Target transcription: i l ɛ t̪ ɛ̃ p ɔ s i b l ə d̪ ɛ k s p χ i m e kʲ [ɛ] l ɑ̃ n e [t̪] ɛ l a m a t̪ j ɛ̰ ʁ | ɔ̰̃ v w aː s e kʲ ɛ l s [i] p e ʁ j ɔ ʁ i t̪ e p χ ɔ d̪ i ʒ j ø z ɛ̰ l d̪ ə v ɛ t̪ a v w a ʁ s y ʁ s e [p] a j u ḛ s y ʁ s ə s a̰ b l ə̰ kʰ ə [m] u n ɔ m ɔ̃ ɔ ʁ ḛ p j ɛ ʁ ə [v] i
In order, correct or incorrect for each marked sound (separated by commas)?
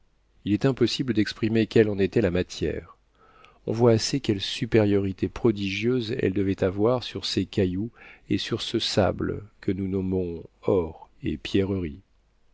correct, correct, incorrect, incorrect, incorrect, incorrect